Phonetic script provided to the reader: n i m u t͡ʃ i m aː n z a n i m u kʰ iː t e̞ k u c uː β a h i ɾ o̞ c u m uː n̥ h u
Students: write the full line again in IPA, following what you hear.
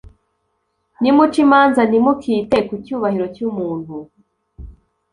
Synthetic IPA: n i m u t͡ʃ i m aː n z a n i m u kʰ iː t e̞ k u c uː β a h i ɾ o̞ c u m uː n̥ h u

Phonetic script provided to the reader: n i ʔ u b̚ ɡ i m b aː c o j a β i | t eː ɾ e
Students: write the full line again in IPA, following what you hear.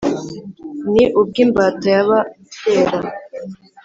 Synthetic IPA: n i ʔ u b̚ ɡ i m b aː t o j a β a | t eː ɾ a

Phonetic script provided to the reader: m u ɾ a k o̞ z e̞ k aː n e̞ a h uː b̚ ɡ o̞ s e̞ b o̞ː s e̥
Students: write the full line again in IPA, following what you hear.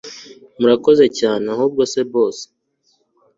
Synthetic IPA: m u ɾ a k o̞ z e̞ c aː n e̞ a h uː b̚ ɡ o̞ s e̞ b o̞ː s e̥

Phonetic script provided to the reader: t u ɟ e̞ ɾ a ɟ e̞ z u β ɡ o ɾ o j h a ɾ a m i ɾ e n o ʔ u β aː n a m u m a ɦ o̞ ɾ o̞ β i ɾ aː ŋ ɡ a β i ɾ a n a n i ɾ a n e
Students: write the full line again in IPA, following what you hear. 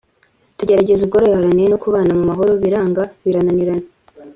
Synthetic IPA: t u ɟ e̞ ɾ a ɟ e̞ z u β ɡ o ɾ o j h a ɾ a n i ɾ e n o k u β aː n a m u m a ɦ o̞ ɾ o̞ β i ɾ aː ŋ ɡ a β i ɾ a n a n i ɾ a n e

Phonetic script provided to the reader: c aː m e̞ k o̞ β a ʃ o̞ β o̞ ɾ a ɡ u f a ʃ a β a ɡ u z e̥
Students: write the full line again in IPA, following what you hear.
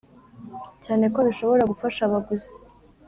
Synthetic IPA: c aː n e̞ k o̞ β i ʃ o̞ β o̞ ɾ a ɡ u f a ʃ a β a ɡ u z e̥

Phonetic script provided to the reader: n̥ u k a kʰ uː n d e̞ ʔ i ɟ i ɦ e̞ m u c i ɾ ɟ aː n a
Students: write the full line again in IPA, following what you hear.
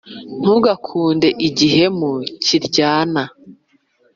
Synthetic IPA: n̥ u ɡ a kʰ uː n d e̞ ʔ i ɟ i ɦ e̞ m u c i ɾ ɟ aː n a

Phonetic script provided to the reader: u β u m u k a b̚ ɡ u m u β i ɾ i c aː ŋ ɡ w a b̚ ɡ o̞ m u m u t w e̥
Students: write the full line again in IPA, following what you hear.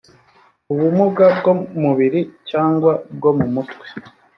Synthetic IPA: u β u m u ɡ a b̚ ɡ o m u β i ɾ i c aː ŋ ɡ w a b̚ ɡ o̞ m u m u t w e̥

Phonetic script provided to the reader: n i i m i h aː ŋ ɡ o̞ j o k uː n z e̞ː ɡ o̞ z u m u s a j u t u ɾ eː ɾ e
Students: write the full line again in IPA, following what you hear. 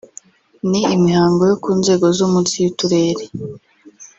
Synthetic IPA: n i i m i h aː ŋ ɡ o̞ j o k uː n z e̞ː ɡ o̞ z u m u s i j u t u ɾ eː ɾ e

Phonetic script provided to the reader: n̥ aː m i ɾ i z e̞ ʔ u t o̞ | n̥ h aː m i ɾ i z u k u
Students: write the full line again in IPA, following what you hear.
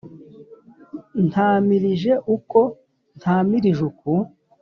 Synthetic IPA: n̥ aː m i ɾ i ʒ e̞ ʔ u k o̞ | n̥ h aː m i ɾ i ʒ u k u

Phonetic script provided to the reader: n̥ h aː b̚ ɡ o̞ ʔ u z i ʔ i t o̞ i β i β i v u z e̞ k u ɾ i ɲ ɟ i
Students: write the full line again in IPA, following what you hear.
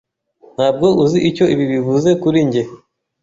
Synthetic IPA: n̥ h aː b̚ ɡ o̞ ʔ u z i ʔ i c o̞ i β i β i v u z e̞ k u ɾ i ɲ ɟ e

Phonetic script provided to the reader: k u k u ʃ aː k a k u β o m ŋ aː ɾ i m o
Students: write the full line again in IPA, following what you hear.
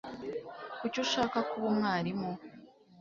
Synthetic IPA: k u c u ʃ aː k a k u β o m ŋ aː ɾ i m o

